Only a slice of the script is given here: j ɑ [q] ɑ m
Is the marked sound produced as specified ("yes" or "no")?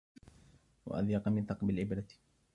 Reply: yes